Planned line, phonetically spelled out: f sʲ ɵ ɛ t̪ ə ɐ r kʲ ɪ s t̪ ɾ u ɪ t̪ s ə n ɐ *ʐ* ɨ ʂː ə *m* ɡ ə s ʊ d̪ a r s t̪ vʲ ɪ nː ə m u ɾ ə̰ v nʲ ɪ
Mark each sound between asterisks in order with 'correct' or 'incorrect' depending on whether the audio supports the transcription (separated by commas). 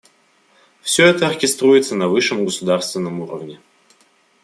incorrect, correct